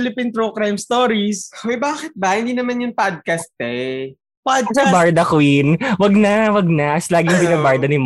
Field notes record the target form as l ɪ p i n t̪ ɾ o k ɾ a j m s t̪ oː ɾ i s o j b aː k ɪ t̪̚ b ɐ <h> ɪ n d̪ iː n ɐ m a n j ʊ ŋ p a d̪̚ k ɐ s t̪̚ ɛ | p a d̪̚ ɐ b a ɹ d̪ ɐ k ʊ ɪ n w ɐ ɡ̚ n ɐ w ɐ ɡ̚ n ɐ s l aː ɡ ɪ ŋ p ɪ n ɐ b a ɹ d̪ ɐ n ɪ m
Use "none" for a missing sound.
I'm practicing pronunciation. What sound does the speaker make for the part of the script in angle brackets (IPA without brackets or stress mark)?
h